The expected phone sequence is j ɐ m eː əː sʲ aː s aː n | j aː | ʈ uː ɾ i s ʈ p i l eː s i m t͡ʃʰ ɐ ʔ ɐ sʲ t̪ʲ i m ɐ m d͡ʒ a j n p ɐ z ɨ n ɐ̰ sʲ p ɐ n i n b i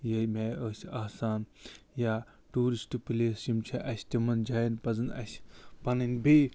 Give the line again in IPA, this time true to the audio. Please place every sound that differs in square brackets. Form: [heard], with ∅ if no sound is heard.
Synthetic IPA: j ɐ m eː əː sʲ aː s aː n | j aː | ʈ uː ɾ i s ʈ p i l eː s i m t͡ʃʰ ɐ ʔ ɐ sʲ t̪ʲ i m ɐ [n] d͡ʒ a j n p ɐ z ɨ n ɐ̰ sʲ p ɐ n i n b i